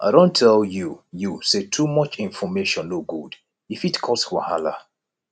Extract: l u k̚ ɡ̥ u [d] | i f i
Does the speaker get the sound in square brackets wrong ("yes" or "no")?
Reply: no